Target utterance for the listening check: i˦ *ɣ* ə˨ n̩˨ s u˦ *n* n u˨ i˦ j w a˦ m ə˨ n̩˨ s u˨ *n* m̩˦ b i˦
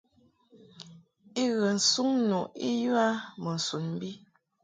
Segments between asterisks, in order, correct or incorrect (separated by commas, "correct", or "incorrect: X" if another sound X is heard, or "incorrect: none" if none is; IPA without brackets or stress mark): correct, incorrect: ŋ, correct